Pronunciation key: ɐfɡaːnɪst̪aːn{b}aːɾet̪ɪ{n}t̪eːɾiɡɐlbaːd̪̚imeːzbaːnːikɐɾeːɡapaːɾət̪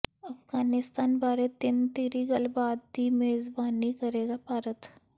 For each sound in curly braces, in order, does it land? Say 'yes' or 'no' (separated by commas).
yes, yes